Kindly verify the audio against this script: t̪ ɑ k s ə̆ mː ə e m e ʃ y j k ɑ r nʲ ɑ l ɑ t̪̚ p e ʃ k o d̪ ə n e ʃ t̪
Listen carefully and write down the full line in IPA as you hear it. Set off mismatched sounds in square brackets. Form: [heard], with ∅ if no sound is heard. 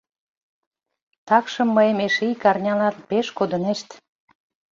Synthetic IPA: t̪ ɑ k [ʃ] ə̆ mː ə e m e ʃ [i] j k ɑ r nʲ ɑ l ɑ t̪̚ p e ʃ k o d̪ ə n e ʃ t̪